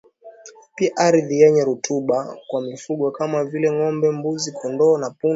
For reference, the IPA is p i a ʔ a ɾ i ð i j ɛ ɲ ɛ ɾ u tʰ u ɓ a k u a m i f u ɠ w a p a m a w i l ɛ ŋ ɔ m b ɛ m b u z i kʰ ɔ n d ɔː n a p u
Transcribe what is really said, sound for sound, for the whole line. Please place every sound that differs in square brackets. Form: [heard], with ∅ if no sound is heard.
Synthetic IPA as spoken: p i a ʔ a ɾ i ð i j ɛ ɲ ɛ ɾ u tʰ u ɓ a k [w] a m i f u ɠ w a [k] a m a [v] i l ɛ ŋ ɔ m b ɛ m b u z i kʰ ɔ n d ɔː n a p u